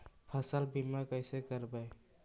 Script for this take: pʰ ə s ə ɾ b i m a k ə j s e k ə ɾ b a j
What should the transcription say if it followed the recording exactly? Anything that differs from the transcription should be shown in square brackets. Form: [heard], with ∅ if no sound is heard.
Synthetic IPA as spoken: pʰ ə s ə [l] b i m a k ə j s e k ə ɾ b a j